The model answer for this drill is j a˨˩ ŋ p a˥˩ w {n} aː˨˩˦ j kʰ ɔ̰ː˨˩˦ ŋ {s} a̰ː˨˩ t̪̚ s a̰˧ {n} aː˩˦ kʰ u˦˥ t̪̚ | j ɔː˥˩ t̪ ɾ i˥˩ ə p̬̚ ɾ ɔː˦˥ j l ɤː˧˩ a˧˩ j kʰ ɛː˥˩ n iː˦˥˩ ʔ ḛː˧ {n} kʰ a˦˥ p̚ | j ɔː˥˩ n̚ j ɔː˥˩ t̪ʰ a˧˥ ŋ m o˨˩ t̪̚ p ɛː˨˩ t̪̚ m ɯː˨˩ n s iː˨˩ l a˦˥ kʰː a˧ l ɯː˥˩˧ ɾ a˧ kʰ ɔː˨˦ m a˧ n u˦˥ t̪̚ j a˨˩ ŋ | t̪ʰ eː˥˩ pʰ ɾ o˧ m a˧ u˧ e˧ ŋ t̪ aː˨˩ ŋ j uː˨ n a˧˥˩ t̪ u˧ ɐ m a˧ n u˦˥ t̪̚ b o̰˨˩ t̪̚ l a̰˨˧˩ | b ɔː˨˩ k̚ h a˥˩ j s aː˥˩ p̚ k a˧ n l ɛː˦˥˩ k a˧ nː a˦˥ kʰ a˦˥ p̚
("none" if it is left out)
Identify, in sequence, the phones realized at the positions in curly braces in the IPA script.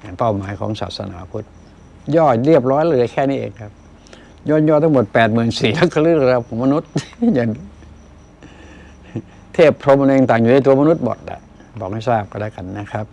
m, s, n, ŋ

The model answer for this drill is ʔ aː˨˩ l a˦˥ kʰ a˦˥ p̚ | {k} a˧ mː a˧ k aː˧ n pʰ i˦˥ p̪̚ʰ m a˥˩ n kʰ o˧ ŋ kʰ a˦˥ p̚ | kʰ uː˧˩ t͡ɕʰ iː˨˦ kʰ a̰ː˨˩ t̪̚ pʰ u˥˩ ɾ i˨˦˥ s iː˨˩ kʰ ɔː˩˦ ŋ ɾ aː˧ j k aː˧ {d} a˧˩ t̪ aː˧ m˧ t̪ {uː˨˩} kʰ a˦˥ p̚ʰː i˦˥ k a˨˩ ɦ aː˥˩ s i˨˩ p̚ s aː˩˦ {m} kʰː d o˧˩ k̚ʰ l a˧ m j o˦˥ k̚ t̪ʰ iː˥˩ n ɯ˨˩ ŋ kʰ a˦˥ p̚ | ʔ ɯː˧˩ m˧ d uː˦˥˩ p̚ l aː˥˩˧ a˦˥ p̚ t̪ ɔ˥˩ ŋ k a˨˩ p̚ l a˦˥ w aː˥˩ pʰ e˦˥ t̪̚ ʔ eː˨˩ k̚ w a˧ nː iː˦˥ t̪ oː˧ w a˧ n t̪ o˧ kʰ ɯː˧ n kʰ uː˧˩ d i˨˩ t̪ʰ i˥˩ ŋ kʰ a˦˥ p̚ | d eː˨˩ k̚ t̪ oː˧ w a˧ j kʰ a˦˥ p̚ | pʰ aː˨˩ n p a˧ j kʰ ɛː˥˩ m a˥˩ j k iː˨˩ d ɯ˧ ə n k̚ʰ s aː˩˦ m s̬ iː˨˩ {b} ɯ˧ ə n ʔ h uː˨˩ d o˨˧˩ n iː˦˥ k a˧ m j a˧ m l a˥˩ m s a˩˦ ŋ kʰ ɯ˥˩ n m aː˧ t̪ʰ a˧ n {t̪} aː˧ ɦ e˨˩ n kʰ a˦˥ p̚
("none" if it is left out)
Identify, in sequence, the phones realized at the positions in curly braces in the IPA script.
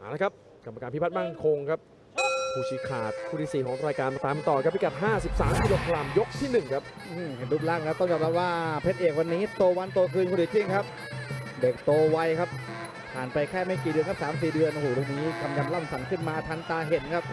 k, n, ɔː˨˩, m, d, t̪

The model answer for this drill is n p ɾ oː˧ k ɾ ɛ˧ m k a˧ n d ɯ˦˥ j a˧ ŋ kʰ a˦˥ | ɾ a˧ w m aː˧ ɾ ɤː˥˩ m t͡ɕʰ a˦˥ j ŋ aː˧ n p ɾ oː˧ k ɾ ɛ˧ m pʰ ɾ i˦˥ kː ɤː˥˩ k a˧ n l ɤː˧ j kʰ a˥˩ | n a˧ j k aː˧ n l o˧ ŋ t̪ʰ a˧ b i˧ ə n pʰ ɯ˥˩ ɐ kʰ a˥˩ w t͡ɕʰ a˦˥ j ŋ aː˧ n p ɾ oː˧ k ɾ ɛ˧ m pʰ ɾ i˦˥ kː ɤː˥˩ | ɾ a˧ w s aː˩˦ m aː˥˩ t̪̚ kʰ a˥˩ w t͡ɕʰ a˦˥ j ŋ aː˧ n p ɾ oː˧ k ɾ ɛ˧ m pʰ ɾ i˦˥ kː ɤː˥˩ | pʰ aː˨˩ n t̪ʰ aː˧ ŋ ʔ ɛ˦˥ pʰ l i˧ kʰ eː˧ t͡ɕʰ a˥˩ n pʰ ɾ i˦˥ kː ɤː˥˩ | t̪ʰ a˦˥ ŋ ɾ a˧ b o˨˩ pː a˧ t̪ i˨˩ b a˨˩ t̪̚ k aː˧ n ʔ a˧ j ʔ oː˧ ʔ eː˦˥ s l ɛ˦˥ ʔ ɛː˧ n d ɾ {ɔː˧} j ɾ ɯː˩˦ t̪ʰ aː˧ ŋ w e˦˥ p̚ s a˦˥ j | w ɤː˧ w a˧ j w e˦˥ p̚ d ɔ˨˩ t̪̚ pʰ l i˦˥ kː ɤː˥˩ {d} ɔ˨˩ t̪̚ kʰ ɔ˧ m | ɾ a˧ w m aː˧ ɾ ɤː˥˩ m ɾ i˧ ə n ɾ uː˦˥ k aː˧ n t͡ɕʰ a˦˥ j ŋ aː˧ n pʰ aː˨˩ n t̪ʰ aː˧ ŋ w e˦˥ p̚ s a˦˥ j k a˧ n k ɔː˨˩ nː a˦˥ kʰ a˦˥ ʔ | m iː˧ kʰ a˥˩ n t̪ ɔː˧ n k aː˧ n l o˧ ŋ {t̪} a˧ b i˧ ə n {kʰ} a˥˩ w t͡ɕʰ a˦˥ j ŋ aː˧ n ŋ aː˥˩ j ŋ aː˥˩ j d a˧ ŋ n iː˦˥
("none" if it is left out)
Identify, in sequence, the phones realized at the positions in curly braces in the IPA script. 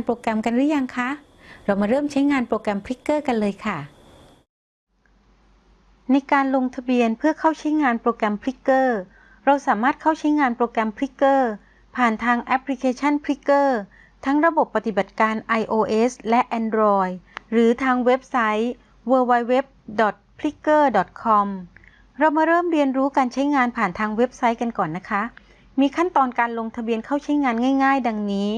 ɔː˧, d, t̪ʰ, kʰ

